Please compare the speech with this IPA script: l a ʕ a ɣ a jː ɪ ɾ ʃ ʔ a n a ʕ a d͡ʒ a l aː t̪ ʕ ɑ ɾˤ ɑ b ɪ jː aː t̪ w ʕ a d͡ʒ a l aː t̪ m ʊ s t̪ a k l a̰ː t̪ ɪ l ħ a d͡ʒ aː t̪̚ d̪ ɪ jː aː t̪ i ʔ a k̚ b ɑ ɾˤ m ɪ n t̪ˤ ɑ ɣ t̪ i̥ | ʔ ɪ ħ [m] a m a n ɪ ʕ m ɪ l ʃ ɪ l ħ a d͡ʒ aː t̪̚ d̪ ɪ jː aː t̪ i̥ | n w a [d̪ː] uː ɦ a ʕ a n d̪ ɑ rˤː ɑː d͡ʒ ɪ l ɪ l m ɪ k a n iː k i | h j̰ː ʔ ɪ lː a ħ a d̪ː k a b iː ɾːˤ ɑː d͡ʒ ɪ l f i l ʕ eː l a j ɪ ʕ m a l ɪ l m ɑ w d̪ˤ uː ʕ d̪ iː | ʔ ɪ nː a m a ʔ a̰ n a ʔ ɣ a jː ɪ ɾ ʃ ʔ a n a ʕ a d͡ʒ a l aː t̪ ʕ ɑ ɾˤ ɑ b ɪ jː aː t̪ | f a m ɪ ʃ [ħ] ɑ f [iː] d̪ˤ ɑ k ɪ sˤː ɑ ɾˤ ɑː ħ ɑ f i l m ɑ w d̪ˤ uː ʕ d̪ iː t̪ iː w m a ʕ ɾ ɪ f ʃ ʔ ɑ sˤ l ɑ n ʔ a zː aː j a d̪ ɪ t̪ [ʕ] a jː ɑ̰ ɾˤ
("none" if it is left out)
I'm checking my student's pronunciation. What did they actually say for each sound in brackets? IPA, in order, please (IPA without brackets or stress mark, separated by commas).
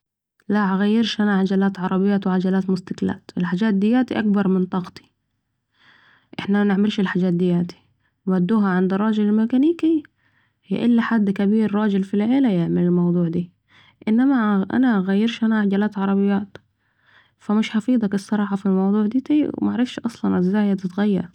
n, d̪ː, ħ, iː, ɣ